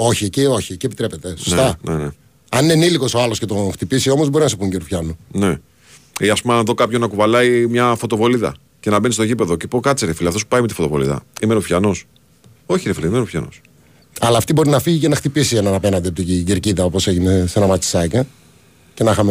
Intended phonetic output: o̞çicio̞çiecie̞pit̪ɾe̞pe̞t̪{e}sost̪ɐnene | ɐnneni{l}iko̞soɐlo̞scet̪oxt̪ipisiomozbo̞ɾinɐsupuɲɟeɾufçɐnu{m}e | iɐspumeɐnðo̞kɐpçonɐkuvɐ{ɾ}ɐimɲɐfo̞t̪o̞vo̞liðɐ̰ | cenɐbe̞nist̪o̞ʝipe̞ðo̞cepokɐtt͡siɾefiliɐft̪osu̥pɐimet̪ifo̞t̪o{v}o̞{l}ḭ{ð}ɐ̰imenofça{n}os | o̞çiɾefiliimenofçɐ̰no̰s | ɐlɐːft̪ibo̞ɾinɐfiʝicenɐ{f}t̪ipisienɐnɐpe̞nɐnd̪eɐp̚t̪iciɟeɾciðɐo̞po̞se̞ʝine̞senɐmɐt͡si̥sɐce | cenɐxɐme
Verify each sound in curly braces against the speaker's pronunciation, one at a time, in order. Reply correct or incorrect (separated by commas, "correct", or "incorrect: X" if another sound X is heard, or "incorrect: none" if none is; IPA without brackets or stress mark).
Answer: correct, correct, incorrect: n, incorrect: l, correct, correct, correct, correct, incorrect: x